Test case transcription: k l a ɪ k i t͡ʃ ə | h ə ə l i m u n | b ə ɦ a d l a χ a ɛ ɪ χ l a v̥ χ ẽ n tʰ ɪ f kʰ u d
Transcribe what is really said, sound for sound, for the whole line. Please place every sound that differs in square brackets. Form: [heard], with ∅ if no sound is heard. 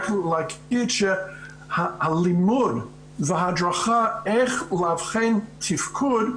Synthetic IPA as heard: k l a ɪ k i t͡ʃ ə | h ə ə l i m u [d] | [v] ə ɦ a d [ɹ] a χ a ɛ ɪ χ l a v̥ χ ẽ n tʰ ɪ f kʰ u d